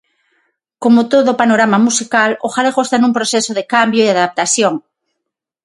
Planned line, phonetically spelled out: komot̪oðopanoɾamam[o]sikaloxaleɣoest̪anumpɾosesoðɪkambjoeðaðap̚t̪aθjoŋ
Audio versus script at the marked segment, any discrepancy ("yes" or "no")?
yes